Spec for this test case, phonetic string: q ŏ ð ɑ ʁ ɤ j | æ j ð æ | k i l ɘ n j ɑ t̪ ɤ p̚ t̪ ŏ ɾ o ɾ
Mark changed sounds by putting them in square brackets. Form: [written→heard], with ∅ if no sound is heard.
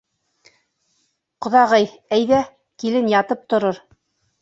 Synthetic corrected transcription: q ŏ ð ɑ ʁ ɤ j | æ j ð æ | k i l ɘ n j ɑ t̪ ɤ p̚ t̪ ŏ ɾ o ɾ